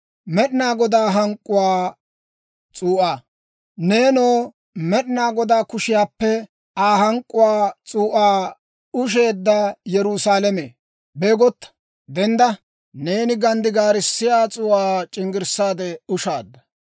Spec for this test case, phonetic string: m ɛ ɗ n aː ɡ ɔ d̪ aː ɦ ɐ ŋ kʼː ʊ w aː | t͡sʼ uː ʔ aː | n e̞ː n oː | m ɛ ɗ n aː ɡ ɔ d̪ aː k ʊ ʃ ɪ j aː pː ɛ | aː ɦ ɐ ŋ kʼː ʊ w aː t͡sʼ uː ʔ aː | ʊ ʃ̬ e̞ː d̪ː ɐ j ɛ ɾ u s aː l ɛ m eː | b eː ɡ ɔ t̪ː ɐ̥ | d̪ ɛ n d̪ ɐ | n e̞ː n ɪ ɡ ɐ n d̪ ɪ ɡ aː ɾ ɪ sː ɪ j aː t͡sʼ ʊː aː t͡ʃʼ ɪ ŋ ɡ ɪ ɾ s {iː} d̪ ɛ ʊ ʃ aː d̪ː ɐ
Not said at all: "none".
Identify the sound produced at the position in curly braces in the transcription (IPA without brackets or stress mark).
aː